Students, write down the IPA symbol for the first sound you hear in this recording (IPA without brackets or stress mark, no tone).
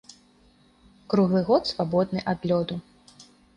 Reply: k